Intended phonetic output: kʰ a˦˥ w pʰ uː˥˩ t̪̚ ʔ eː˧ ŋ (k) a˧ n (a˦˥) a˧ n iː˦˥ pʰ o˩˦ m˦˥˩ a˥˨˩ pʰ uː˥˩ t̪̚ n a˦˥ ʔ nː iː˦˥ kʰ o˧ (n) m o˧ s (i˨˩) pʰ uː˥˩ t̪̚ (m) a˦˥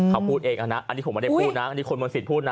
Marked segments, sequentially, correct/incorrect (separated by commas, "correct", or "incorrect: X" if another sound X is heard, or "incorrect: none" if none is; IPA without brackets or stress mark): incorrect: ʔ, correct, correct, correct, incorrect: n